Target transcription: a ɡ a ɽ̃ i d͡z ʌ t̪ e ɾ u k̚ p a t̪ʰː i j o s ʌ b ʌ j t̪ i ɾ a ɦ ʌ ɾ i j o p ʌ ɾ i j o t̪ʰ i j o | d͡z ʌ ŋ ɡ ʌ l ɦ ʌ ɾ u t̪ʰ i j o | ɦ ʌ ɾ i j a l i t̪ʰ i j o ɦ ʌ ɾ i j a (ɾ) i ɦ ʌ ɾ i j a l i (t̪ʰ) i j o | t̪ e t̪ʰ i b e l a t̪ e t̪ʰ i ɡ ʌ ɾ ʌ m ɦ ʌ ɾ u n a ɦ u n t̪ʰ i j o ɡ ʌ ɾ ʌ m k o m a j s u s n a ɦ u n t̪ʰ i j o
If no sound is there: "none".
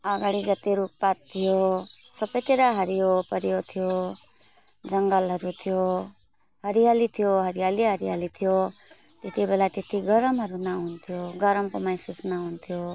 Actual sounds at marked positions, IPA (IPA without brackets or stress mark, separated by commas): l, t̪ʰ